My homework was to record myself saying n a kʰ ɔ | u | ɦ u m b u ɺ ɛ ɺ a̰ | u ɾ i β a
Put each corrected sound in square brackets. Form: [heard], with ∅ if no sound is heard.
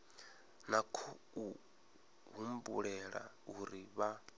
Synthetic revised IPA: n a kʰ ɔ | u | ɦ u m b u ɺ ɛ ɺ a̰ | u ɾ i β a